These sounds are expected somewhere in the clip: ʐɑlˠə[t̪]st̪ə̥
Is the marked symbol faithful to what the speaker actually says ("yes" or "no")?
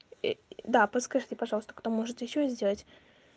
no